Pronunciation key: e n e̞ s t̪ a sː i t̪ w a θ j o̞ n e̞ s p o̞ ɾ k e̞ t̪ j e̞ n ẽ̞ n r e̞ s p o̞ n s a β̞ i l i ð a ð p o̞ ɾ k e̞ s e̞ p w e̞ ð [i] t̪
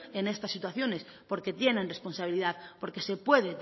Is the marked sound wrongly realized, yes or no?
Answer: yes